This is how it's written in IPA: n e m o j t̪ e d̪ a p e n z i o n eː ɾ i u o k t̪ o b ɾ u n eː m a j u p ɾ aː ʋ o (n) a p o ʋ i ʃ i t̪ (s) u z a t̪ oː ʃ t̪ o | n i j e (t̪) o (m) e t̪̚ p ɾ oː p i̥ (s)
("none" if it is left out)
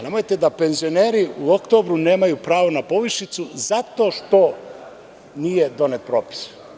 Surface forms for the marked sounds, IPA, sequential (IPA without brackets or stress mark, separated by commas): n, s, d̪, n, s